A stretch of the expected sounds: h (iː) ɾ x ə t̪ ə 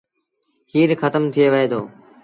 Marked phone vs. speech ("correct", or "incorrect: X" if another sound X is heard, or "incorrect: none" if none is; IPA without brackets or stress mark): correct